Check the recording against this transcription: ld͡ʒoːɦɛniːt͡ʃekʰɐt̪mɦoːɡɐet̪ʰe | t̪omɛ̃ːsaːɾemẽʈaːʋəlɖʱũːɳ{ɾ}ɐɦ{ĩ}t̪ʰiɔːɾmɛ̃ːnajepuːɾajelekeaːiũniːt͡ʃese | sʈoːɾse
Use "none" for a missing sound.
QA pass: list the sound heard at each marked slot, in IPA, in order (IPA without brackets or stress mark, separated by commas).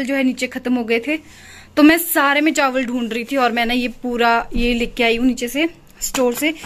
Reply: ɾ, i